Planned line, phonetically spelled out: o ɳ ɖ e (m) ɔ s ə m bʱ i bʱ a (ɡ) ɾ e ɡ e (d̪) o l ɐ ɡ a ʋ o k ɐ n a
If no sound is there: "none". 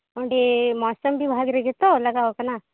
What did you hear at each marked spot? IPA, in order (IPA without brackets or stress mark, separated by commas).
m, ɡ, t̪